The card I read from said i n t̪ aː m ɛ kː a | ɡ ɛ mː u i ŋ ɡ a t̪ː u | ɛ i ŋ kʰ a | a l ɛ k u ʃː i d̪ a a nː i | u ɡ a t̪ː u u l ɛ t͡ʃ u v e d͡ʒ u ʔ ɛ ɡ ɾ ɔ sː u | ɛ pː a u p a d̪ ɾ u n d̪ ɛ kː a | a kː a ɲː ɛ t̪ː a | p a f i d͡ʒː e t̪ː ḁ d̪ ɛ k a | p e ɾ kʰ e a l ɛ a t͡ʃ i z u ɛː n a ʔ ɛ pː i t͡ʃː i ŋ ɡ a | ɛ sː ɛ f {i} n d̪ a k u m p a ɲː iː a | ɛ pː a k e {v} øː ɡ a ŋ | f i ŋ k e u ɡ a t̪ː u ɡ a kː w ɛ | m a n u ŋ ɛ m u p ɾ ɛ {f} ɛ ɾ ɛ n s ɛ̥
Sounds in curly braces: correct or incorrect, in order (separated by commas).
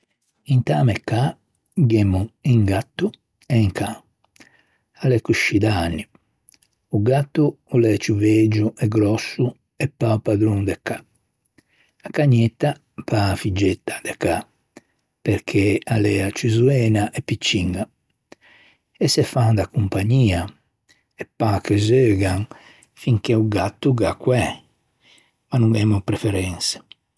incorrect, incorrect, correct